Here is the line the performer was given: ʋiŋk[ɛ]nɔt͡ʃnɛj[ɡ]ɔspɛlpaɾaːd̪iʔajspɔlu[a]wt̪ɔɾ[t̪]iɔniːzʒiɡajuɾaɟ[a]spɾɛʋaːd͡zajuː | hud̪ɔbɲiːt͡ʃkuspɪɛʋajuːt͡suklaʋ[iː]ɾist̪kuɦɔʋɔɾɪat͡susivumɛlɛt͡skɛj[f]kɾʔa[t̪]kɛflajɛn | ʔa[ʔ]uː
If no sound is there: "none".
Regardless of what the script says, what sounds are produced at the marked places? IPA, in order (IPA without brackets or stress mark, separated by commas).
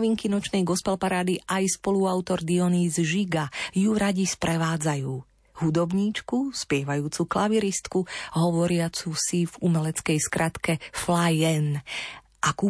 i, ɡ, a, d̪, i, i, s, t̪, k